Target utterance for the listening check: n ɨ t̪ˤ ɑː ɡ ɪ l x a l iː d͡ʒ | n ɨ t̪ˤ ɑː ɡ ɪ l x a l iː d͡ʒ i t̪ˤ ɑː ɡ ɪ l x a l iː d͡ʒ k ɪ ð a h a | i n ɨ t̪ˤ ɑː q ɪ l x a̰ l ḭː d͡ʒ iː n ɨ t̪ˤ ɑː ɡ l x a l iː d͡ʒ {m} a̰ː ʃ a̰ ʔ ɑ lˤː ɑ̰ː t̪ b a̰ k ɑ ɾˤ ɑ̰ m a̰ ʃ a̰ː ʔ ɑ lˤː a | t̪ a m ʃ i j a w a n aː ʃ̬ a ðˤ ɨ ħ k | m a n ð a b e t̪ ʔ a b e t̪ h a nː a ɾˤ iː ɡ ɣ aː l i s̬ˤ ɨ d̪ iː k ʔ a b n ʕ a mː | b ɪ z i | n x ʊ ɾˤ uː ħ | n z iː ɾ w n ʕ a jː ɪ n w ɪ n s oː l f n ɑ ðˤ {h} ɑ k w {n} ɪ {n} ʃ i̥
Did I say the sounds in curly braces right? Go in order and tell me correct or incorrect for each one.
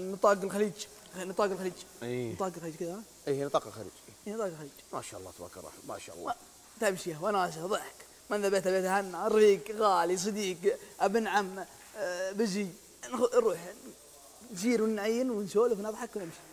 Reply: correct, incorrect: ħ, correct, incorrect: m

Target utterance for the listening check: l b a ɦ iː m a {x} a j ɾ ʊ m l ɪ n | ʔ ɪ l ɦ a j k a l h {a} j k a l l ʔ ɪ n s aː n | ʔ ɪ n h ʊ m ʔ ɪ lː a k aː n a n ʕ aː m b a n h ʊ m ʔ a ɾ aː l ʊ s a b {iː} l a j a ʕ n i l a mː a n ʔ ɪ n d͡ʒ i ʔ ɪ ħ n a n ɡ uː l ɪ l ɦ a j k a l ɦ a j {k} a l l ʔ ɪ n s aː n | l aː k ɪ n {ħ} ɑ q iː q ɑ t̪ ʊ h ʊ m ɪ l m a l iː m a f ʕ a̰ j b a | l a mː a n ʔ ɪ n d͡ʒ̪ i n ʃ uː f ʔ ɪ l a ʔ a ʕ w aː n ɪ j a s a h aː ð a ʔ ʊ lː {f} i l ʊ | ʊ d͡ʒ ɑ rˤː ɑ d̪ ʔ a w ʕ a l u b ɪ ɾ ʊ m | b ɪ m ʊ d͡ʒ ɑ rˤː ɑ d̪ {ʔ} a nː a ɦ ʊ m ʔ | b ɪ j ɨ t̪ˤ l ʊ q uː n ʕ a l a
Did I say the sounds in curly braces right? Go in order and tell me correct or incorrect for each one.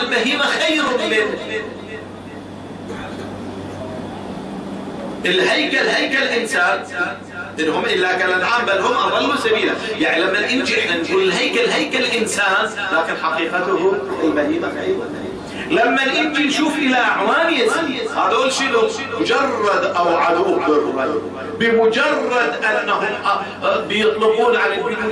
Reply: correct, correct, correct, correct, correct, incorrect: ʃ, correct

